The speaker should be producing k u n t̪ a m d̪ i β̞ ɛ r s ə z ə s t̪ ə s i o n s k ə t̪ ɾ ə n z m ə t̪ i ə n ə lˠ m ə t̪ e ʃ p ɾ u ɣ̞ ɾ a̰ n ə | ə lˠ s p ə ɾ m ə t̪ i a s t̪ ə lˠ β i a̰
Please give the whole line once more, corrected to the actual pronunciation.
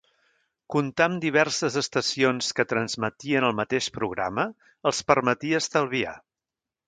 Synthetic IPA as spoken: k u n t̪ a m d̪ i β̞ ɛ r s ə z ə s t̪ ə s i o n s k ə t̪ ɾ ə n z m ə t̪ i ə n ə lˠ m ə t̪ e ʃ p ɾ u ɣ̞ ɾ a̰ m ə | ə lˠ s p ə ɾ m ə t̪ i ə s t̪ ə lˠ β i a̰

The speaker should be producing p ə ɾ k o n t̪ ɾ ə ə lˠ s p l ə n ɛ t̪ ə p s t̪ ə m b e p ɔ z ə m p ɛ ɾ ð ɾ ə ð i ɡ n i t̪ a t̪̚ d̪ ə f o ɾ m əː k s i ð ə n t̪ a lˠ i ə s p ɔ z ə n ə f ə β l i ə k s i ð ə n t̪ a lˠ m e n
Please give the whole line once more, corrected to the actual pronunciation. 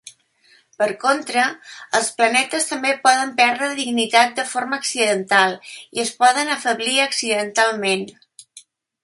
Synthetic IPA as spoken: p ə ɾ k o n t̪ ɾ ə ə lˠ s p l ə n ɛ t̪ ə s t̪ ə m b e p ɔ ð ə m p ɛ ɾ ð ɾ ə ð i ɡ n i t̪ a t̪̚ d̪ ə f o ɾ m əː k s i ð ə n t̪ a lˠ i ə s p ɔ ð ə n ə f ə β l i ə k s i ð ə n t̪ a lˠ m e n

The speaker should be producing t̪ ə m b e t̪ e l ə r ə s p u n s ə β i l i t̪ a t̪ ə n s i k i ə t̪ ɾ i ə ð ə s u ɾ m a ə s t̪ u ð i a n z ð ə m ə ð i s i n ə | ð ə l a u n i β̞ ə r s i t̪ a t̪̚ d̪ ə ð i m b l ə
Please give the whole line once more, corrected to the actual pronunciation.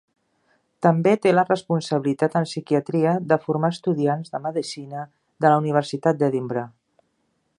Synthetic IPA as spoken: t̪ ə m b e t̪ e l ə r ə s p u n s ə β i l i t̪ a t̪ ə n s i k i ə t̪ ɾ i ə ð ə f u ɾ m a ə s t̪ u ð i a n z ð ə m ə ð i s i n ə | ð ə l ə u n i β̞ ə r s i t̪ a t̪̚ d̪ ə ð i m b ɾ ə

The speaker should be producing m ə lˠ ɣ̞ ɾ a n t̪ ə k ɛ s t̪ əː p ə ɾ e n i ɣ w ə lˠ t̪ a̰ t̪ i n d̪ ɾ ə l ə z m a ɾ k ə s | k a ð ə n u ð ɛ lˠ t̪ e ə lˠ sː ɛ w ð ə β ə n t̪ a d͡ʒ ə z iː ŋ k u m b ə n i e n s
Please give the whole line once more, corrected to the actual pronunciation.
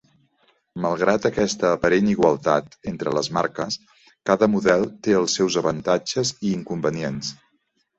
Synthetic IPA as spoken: m ə lˠ ɣ̞ ɾ a t̪ ə k ɛ s t̪ əː p ə ɾ e n i ɣ w ə lˠ t̪ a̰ t̪ e n t̪ ɾ ə l ə z m a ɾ k ə s | k a ð ə m u ð ɛ lˠ t̪ e ə lˠ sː ɛ w z ə β ə n t̪ a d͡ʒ ə z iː ŋ k u m b ə n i e n s

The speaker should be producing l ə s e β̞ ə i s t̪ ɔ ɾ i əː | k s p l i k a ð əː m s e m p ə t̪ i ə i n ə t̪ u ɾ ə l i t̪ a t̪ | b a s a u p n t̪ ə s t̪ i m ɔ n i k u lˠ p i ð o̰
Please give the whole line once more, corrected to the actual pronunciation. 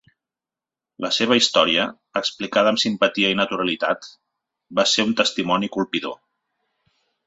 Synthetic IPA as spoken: l ə s e β̞ ə i s t̪ ɔ ɾ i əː | k s p l i k a ð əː m s i m p ə t̪ i ə i n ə t̪ u ɾ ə l i t̪ a t̪ | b a s e u n t̪ ə s t̪ i m ɔ n i k u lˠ p i ð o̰

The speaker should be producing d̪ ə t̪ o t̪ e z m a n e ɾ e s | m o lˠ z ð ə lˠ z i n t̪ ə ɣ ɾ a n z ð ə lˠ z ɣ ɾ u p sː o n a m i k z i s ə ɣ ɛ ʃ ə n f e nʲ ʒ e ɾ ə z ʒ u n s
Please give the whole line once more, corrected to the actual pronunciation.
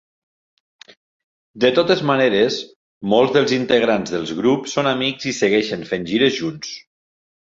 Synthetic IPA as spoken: d̪ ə t̪ o t̪ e z m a n e ɾ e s | m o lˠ z ð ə lˠ z i n t̪ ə ɣ ɾ a n z ð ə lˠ z ɣ ɾ u p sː o n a m i k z i s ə ɣ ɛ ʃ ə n f e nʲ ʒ i ɾ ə z ʒ u n s

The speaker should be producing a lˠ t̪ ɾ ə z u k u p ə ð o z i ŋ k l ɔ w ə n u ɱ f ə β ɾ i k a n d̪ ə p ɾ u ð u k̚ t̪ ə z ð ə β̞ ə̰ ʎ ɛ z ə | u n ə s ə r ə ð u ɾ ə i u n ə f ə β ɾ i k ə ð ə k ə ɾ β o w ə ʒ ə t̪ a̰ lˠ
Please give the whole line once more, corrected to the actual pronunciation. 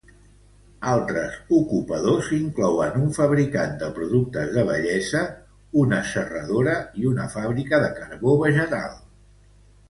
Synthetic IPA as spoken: a lˠ t̪ ɾ ə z u k u p ə ð o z i ŋ k l ɔ w ə n u ɱ f ə β ɾ i k a n d̪ ə p ɾ u ð u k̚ t̪ ə z ð ə β̞ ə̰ ʎ ɛ z ə | u n ə s ə r ə ð o ɾ ə i u n ə f a β ɾ i k ə ð ə k ə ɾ β o β ə ʒ ə t̪ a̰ lˠ

